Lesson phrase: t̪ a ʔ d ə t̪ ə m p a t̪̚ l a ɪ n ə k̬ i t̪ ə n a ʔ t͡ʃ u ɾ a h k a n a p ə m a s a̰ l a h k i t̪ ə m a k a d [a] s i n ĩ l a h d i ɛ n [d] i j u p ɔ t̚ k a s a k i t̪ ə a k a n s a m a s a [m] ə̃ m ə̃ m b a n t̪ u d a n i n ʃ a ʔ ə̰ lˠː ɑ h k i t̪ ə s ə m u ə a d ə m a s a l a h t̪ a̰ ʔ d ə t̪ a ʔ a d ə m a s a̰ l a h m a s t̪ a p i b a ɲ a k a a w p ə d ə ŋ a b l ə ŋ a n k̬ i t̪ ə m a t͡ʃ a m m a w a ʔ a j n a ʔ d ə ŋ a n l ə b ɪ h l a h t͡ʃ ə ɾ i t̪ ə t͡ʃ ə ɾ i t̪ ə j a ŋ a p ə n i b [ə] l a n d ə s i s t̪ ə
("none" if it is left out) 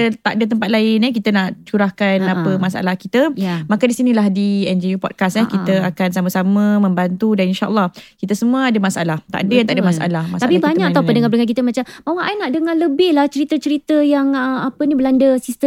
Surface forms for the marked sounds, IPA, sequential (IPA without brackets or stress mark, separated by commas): i, d͡ʒ, m, ə